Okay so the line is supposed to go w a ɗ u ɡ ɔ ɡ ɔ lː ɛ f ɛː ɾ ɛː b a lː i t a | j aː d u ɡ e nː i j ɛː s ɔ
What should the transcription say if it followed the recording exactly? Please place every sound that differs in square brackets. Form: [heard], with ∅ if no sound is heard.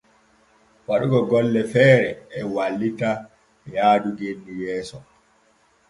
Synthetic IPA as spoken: w a ɗ u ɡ ɔ ɡ ɔ lː ɛ f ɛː ɾ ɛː [w] a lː i t a | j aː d u ɡ e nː i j ɛː s ɔ